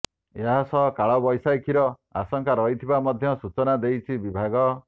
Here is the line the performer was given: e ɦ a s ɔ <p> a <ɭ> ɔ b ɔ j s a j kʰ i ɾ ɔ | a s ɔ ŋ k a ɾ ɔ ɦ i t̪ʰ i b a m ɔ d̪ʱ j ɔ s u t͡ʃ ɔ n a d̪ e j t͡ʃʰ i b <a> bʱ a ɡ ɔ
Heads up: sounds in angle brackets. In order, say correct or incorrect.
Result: incorrect, correct, incorrect

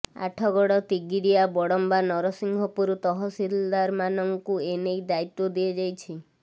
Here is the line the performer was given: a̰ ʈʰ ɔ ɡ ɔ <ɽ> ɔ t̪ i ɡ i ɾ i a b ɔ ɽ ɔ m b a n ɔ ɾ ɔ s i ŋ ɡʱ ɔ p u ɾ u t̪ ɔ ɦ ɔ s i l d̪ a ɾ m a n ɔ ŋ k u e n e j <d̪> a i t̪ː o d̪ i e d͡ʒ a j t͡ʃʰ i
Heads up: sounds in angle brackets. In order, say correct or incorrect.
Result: correct, correct

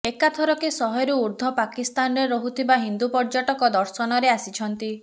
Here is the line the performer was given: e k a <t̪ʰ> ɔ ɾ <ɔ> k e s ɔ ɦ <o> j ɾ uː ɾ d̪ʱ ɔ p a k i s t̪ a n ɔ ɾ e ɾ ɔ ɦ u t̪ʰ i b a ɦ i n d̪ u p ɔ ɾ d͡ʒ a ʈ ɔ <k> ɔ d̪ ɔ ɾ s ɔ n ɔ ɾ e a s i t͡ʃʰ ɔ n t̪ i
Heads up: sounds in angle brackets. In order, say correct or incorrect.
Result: correct, correct, incorrect, correct

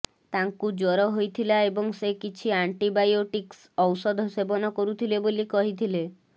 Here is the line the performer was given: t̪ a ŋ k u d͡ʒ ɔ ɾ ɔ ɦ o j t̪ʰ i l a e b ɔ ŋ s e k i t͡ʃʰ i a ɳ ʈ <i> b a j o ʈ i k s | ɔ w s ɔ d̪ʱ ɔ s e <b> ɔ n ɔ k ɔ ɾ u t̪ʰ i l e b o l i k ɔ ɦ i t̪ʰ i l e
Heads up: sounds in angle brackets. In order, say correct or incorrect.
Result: correct, correct

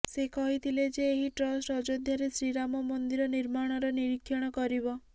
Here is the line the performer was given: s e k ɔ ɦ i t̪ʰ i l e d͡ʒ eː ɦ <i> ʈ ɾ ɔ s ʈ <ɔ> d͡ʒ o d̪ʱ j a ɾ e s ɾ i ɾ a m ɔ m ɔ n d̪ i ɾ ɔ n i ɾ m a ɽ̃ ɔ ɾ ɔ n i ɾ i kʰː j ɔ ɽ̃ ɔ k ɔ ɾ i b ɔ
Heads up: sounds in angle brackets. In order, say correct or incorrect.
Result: correct, correct

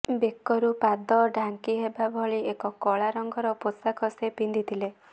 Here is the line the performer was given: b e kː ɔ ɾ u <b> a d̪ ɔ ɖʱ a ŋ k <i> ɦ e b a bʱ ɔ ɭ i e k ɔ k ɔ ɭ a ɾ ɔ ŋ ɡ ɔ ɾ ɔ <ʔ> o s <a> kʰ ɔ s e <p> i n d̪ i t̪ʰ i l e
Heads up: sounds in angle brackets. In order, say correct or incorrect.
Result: incorrect, correct, incorrect, correct, correct

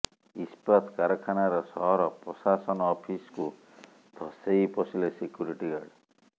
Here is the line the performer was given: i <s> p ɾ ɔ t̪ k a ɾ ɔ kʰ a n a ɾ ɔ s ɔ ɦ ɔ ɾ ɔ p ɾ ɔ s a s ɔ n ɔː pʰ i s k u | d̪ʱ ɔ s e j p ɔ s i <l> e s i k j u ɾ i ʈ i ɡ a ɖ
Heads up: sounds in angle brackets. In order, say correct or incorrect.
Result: correct, correct

